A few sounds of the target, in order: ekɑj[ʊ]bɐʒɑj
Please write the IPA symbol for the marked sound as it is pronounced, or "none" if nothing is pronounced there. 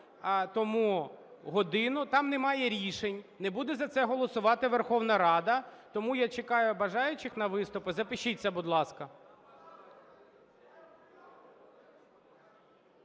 ʊ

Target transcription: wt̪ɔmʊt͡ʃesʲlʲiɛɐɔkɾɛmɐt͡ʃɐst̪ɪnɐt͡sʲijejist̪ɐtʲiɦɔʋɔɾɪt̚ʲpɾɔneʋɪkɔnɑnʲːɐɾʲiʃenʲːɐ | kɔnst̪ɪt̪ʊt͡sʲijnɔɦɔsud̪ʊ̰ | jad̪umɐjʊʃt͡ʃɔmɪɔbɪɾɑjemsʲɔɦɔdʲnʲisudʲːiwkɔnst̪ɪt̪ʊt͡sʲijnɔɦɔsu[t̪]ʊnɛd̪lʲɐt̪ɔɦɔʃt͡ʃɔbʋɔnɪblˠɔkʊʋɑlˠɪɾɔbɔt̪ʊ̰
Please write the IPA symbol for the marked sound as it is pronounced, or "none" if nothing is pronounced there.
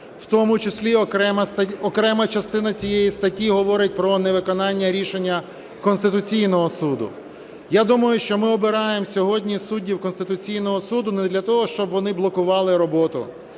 d̪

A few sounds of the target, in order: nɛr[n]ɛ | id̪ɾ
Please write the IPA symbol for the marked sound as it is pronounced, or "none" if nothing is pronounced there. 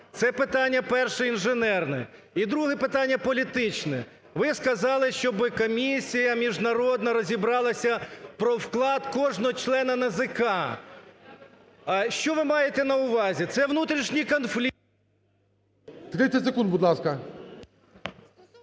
n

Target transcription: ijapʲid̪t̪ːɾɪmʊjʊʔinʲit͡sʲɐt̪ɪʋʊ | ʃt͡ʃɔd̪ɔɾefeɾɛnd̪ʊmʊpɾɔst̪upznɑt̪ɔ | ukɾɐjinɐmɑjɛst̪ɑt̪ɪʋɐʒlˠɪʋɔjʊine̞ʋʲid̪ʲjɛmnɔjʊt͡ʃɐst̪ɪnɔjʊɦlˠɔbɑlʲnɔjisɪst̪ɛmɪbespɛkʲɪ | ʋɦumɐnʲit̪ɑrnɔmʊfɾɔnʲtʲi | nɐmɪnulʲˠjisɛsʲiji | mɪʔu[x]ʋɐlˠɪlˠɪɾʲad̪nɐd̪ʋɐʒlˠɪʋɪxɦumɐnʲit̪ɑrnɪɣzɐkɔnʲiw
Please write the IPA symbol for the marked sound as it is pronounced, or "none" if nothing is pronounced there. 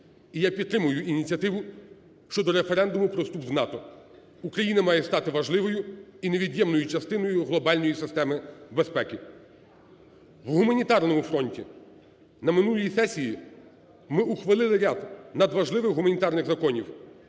x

